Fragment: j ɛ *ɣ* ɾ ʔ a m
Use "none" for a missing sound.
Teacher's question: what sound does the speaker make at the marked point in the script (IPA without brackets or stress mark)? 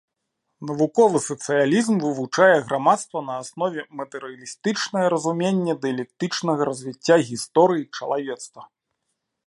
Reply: ɣ